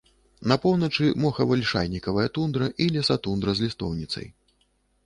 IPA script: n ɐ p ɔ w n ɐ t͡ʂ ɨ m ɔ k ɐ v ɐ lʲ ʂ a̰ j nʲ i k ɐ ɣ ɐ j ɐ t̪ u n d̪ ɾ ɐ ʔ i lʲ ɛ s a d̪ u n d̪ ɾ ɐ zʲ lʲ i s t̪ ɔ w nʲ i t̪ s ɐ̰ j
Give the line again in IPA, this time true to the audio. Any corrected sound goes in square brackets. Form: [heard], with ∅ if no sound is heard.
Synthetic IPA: n ɐ p ɔ w n ɐ t͡ʂ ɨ m ɔ [x] ɐ v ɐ lʲ ʂ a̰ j nʲ i k ɐ [v] ɐ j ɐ t̪ u n d̪ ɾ ɐ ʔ i lʲ ɛ s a [t̪] u n d̪ ɾ ɐ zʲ lʲ i s t̪ ɔ w nʲ i t̪ s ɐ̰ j

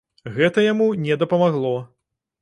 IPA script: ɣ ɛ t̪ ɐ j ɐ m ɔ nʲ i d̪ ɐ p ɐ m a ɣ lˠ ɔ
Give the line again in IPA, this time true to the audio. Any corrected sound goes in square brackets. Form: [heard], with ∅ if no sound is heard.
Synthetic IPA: ɣ ɛ t̪ ɐ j [a] m [u] nʲ [ɛ] d̪ ɐ p ɐ m a ɣ lˠ ɔ

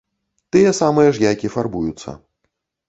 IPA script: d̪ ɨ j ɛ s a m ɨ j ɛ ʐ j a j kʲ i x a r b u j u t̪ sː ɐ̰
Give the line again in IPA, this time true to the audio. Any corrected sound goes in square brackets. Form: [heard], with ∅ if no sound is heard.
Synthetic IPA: [t̪] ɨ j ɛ s a m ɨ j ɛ ʐ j a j kʲ i [f] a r b u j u t̪ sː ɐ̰

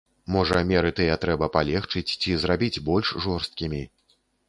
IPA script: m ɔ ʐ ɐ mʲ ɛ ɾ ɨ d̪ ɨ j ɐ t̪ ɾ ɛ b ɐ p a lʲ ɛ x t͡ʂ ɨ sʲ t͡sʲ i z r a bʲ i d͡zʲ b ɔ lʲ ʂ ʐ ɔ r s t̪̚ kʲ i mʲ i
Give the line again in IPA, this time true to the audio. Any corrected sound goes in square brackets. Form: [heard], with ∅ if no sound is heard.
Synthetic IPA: m ɔ ʐ ɐ mʲ ɛ ɾ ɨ [t̪] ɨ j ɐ t̪ ɾ ɛ b ɐ p a lʲ ɛ x t͡ʂ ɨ [t͡sʲ] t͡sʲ i z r a bʲ i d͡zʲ b ɔ lʲ ʂ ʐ ɔ r s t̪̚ kʲ i mʲ i

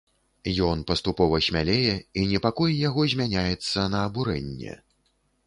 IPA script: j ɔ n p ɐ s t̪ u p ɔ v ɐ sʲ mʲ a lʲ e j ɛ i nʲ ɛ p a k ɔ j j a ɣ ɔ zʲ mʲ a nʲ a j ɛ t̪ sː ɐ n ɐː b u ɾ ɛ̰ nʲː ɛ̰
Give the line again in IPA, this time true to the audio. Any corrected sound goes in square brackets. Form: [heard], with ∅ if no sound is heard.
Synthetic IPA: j ɔ n p ɐ s t̪ u p ɔ v ɐ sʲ mʲ a lʲ e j ɛ i nʲ ɛ p a k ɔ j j a ɣ ɔ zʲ mʲ a nʲ a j ɛ t̪ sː ɐ n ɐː b u ɾ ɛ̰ nʲː ɛ̰

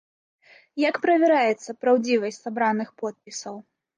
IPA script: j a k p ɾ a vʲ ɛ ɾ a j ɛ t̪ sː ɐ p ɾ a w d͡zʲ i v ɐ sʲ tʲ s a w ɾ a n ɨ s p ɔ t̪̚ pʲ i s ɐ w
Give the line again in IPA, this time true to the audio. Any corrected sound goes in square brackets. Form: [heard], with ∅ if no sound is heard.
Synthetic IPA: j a k p ɾ [ɐ] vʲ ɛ ɾ a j ɛ t̪ sː ɐ p ɾ a w d͡zʲ i v ɐ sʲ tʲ s a [b] ɾ a n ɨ [x] p ɔ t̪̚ pʲ i s ɐ w

